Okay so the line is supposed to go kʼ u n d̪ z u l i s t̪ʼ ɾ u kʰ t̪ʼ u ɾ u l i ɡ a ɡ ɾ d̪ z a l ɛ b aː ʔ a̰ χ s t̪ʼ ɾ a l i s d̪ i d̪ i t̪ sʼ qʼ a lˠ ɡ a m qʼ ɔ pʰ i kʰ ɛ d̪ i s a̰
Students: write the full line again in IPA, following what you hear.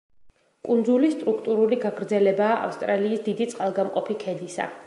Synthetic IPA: kʼ u n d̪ z u l i s t̪ʼ ɾ u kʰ t̪ʼ u ɾ u l i ɡ a ɡ ɾ d̪ z ɛ l ɛ b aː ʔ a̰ f s t̪ʼ ɾ a l iː s d̪ i d̪ i t̪ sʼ qʼ a lˠ ɡ a m qʼ ɔ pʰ i kʰ ɛ d̪ i s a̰